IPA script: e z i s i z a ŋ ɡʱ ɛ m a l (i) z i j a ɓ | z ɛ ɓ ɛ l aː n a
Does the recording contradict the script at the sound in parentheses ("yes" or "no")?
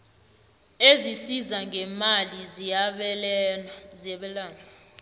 no